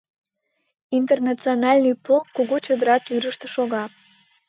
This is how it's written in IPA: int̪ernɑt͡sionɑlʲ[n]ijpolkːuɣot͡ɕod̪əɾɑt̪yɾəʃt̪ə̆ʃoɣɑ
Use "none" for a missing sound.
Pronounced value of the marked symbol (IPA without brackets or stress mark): n